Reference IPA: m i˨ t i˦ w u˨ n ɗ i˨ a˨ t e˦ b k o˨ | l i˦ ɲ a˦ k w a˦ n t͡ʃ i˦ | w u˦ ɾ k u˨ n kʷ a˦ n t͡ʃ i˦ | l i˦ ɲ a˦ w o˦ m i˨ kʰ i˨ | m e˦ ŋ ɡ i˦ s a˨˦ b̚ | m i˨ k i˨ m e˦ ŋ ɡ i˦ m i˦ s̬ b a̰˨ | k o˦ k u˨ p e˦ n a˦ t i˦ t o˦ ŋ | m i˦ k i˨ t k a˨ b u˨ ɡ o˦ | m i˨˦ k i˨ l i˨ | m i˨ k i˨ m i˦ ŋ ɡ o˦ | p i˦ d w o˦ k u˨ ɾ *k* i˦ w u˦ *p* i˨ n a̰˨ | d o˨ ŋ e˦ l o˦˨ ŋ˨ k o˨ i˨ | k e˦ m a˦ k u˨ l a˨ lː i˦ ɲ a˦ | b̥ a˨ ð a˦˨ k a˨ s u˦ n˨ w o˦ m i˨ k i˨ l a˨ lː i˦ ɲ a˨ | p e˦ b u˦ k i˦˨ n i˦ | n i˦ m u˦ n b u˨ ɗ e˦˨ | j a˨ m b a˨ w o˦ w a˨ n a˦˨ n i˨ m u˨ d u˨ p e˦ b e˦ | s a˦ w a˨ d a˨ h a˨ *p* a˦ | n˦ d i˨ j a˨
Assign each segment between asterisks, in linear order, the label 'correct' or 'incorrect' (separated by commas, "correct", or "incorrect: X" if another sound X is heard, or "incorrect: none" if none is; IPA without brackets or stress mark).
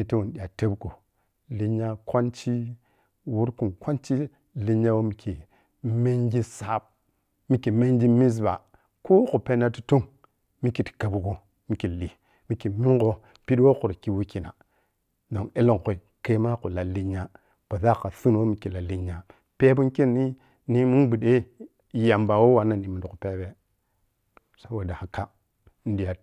correct, incorrect: k, incorrect: k